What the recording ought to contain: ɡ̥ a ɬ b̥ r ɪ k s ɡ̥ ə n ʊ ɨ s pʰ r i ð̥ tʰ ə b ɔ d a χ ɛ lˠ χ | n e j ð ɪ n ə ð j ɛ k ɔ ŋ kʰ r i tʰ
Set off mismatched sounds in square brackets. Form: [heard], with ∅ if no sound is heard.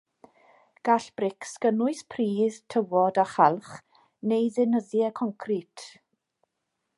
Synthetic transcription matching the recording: ɡ̥ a ɬ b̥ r ɪ k s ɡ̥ ə n ʊ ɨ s pʰ r [iː] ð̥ tʰ ə [w] ɔ d a χ [a] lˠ χ | n e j ð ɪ n ə ð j ɛ [kʰ] ɔ ŋ kʰ r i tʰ